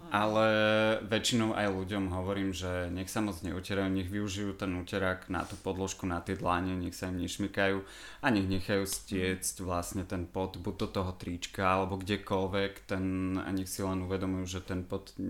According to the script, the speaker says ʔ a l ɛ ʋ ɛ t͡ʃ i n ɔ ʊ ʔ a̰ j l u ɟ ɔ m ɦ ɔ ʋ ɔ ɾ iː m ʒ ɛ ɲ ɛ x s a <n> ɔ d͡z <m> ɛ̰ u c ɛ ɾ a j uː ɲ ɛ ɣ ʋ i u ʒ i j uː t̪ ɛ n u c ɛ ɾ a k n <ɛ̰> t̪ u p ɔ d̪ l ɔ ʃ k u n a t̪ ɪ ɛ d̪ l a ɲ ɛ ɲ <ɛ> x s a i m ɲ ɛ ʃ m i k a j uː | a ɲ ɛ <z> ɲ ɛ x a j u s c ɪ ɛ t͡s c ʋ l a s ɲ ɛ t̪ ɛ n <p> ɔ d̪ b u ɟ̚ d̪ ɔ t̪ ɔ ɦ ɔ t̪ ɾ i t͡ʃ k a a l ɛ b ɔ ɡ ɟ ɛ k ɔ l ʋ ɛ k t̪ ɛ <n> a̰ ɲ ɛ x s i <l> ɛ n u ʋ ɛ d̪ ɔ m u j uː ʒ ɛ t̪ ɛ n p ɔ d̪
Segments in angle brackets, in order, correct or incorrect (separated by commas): incorrect, incorrect, incorrect, correct, incorrect, correct, correct, correct